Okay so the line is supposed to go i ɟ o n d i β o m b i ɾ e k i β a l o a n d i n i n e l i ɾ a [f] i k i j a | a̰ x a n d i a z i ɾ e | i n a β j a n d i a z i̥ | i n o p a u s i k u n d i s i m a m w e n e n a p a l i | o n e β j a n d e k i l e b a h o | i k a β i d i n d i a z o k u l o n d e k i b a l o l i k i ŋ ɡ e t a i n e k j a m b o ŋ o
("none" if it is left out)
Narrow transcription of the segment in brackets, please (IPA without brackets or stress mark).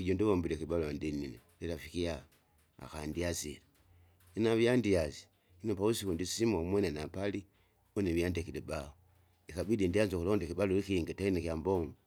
f